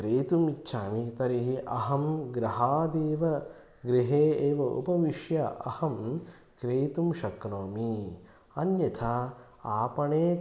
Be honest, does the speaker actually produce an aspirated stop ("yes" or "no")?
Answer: yes